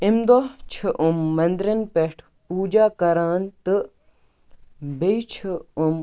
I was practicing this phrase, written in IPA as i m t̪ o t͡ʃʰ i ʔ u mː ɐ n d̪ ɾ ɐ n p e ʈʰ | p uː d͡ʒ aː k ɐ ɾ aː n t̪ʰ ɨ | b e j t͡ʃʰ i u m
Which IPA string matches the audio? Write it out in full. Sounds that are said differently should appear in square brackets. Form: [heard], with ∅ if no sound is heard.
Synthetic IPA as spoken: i m [d̪] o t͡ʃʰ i ʔ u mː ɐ n d̪ ɾ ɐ n p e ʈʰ | p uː d͡ʒ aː k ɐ ɾ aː n [t̪] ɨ | b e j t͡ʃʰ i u m